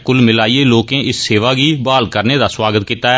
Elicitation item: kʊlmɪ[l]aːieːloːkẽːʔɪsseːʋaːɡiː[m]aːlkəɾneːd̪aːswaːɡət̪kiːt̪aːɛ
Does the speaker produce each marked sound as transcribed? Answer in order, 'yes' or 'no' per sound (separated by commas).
yes, no